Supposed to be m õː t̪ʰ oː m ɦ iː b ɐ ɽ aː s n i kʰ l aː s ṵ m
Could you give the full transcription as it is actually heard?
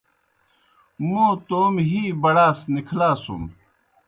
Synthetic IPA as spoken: m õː t̪ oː m ɦ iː b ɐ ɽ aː s n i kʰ l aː s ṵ m